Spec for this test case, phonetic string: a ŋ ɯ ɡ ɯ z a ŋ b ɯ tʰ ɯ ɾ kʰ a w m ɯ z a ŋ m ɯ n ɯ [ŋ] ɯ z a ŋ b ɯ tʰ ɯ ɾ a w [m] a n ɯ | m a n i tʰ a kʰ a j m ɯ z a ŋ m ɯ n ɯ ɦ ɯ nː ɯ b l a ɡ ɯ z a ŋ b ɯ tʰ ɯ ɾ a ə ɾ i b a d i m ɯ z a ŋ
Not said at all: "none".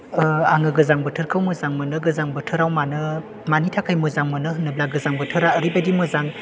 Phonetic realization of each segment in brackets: ɡ, m

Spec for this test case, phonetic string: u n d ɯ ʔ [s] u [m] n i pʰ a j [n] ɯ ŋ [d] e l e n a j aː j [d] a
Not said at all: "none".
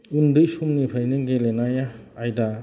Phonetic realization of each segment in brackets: s, m, n, ɡ, d

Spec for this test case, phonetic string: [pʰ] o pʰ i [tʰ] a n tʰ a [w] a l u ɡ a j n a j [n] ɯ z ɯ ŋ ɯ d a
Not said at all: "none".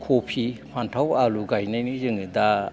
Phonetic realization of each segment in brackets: kʰ, pʰ, w, n

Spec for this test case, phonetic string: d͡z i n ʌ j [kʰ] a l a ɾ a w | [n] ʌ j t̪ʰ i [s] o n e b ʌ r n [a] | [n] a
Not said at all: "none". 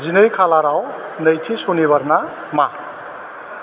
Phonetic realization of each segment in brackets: kʰ, n, s, a, m

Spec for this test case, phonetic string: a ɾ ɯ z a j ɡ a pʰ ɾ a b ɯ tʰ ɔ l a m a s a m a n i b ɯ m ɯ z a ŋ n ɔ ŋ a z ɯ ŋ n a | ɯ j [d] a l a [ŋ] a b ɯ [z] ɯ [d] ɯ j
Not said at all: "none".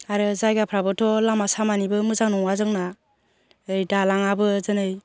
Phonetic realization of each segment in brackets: d, ŋ, z, n

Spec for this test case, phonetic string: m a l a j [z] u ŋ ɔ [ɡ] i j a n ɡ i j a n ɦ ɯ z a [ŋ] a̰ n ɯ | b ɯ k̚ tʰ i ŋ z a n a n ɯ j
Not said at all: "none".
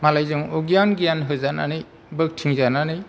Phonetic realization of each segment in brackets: z, ɡ, n

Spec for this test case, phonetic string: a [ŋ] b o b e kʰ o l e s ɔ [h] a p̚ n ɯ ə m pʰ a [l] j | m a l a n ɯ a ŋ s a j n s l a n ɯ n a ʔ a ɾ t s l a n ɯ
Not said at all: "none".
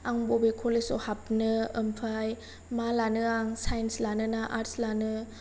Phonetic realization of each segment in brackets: ŋ, h, none

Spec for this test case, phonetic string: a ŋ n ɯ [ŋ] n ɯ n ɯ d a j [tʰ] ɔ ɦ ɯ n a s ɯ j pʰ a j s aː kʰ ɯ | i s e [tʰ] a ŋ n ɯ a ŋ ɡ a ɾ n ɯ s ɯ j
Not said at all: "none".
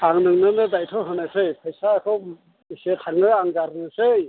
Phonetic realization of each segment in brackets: ŋ, tʰ, tʰ

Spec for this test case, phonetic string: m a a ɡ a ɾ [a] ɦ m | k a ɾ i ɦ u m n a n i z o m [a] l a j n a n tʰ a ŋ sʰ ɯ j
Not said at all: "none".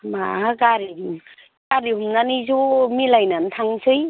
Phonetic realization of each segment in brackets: i, i

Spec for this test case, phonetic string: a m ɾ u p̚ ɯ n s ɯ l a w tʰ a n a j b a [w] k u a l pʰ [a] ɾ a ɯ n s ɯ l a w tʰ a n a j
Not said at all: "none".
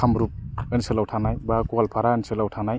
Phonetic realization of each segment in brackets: none, a

